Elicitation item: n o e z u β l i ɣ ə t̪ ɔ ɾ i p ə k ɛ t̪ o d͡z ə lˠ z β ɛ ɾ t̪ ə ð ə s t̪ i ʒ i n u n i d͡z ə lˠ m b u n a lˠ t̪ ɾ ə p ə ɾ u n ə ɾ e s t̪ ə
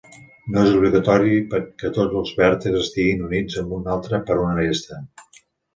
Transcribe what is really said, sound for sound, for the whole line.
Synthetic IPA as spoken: n o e z u β l i ɣ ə t̪ ɔ ɾ i p ə k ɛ t̪ o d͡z ə lˠ z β ɛ ɾ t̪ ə z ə s t̪ i ɣ i n u n i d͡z ə m b u n a lˠ t̪ ɾ ə p ə ɾ u n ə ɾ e s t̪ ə